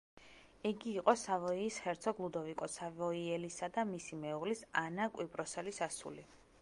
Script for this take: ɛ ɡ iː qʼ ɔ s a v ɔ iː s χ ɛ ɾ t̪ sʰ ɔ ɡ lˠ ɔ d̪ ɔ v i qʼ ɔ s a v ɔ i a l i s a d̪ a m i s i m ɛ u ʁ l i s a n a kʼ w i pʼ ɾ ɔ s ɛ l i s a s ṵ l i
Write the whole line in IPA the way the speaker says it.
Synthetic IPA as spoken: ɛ ɡ iː qʼ ɔ s a v ɔ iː s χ ɛ ɾ t̪ sʰ ɔ ɡ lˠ u d̪ ɔ v i kʼ ɔ s a v ɔ i ɛ l i s a d̪ a m i s i m ɛ u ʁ l i s a n a kʼ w i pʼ ɾ ɔ s ɛ l i s a s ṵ l i